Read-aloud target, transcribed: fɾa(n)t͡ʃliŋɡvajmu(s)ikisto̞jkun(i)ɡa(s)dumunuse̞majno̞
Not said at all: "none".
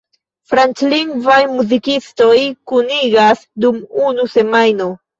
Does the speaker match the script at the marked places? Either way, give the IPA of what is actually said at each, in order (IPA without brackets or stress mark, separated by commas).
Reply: n, z, i, s